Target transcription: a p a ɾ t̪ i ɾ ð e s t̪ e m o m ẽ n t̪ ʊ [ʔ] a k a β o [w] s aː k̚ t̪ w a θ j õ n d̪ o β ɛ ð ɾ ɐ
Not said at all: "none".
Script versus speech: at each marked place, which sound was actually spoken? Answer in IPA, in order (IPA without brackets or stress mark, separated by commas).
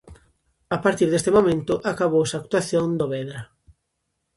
ʔ, w